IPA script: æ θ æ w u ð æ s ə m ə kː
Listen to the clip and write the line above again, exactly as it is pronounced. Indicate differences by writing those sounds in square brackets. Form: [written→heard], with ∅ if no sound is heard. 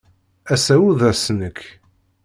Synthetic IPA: æ [θ→s] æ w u ð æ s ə [m→n] ə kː